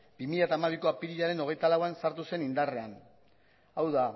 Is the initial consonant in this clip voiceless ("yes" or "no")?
no